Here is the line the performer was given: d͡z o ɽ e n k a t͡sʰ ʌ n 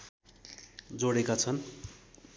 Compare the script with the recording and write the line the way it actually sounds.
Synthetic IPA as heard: d͡z o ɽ e k a t͡sʰ ʌ n